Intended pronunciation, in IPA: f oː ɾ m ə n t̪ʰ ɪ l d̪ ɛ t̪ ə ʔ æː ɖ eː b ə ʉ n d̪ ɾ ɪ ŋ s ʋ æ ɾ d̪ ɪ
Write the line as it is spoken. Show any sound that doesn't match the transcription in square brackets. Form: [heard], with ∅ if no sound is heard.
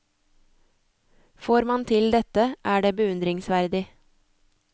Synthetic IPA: f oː ɾ m [ɑ] n t̪ʰ ɪ l d̪ ɛ t̪ ə ʔ æː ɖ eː b ə ʉ n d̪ ɾ ɪ ŋ s ʋ æ ɾ d̪ ɪ